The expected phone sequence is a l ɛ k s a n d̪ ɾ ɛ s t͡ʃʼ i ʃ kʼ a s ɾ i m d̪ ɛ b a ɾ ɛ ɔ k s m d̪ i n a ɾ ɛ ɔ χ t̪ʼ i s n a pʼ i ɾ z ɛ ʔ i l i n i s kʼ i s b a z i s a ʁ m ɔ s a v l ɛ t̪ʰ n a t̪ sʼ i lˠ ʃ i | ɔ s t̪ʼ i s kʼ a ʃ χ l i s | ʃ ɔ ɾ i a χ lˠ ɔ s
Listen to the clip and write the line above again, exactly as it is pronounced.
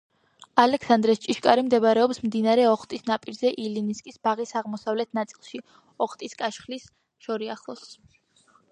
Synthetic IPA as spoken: a l ɛ k s a n d̪ ɾ ɛ s t͡ʃʼ i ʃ kʼ a ɾ i m d̪ ɛ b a ɾ ɛ ɔ p s m d̪ i n a ɾ ɛ ɔ χ t̪ʼ i s n a pʼ i ɾ z ɛ ʔ i l i n i s kʼ i s b a ʁ i s a ʁ m ɔ s a v l ɛ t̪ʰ n a t̪ sʼ i lˠ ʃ i | ɔ χ t̪ʼ i s kʼ a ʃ χ l i s | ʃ ɔ ɾ i a χ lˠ ɔ s